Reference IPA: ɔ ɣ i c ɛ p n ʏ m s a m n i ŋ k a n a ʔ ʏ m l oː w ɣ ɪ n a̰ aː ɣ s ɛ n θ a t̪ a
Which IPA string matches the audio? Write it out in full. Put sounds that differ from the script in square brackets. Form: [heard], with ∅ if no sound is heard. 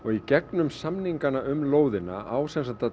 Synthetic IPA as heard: ɔ ɣ i c ɛ [k] n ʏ m s a m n i ŋ k a n a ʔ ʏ m l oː w [ð] ɪ n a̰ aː [w] s ɛ n [s] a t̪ a